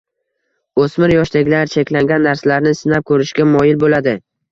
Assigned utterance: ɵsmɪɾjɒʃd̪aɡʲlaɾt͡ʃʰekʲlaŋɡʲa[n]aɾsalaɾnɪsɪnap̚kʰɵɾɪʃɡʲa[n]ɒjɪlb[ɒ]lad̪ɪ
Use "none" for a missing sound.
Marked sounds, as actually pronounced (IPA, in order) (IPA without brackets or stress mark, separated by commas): nː, m, o